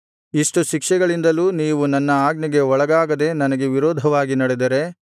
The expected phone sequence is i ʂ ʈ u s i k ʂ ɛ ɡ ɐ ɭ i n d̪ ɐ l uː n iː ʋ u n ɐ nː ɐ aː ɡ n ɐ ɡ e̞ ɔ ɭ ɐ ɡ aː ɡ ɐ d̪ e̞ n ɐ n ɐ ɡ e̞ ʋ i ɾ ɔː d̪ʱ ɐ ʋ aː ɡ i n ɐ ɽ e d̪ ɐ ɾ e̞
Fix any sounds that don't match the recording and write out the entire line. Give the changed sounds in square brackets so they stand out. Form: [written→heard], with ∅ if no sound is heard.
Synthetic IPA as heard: i ʂ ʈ u [s→ʃ] i k ʂ ɛ ɡ ɐ ɭ i n d̪ ɐ l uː n iː ʋ u n ɐ nː ɐ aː ɡ n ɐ ɡ e̞ ɔ ɭ ɐ ɡ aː ɡ ɐ d̪ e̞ n ɐ n ɐ ɡ e̞ ʋ i ɾ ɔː d̪ʱ ɐ ʋ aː ɡ i n ɐ ɽ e d̪ ɐ ɾ e̞